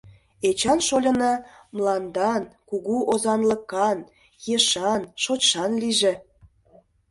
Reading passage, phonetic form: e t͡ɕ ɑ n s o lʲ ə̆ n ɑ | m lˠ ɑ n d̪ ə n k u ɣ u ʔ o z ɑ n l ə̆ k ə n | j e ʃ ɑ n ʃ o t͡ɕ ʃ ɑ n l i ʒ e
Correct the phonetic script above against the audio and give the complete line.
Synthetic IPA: e t͡ɕ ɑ n ʃ o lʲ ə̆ n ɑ | m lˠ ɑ n d̪ ɑ n k u ɣ u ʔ o z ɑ n l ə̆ k ɑ n | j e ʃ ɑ n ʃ o t͡ɕ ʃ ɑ n l i ʒ e